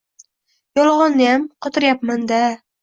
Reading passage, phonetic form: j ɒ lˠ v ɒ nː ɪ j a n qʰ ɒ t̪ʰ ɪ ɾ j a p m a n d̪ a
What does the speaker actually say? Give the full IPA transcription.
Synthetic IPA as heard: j ɒ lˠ ʁ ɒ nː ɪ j a m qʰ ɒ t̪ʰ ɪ ɾ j a p m a n d̪ a